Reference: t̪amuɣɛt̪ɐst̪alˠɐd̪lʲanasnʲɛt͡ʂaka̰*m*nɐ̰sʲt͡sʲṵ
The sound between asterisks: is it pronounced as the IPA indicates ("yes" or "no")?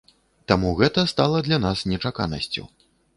no